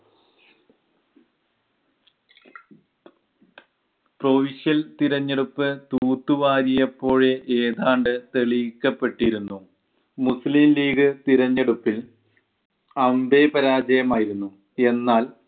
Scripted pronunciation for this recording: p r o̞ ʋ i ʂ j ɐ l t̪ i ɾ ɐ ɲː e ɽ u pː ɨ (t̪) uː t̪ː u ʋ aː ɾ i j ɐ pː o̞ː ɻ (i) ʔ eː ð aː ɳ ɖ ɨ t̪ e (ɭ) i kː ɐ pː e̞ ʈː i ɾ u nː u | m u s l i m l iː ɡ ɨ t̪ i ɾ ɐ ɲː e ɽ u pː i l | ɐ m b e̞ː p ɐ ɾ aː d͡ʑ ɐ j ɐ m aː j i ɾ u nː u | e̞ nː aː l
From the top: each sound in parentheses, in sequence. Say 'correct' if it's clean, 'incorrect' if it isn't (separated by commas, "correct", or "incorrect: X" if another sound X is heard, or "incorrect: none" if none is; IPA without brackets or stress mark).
correct, incorrect: e, correct